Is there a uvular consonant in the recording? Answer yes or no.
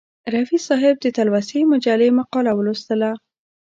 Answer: yes